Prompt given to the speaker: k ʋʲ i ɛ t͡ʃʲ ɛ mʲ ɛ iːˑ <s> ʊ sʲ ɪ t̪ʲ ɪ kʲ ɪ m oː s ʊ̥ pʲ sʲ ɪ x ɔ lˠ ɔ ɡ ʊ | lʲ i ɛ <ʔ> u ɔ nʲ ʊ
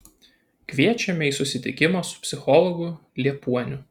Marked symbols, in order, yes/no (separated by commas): yes, no